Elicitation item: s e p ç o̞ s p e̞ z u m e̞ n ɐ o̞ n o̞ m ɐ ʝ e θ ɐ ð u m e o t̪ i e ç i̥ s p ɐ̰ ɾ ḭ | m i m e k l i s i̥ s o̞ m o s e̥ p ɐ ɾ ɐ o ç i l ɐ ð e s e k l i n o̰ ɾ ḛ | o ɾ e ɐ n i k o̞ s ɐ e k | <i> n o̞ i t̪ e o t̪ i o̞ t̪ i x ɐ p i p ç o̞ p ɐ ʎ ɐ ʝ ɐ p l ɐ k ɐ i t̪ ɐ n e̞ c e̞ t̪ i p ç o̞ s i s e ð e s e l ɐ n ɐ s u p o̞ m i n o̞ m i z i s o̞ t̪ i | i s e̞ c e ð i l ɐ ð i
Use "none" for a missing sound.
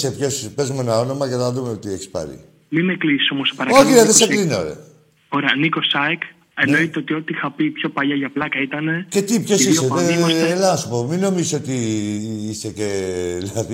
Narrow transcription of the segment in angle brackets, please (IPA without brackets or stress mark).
e